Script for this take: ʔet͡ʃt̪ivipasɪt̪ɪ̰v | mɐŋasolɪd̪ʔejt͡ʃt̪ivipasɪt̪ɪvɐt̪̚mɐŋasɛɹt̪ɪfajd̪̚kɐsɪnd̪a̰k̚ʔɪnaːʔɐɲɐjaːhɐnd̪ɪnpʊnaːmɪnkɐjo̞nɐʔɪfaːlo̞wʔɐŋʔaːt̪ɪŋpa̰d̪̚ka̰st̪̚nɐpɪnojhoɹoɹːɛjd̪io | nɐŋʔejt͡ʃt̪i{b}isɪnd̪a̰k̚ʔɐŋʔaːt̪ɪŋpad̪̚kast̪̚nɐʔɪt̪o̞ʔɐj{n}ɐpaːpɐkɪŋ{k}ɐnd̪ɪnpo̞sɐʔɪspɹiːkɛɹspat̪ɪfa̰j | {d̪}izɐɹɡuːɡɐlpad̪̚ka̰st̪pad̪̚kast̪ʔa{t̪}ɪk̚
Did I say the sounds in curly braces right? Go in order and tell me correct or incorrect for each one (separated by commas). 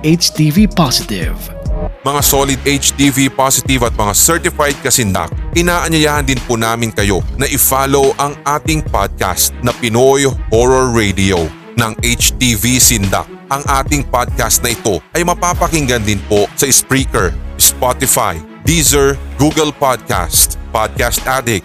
incorrect, incorrect, incorrect, correct, incorrect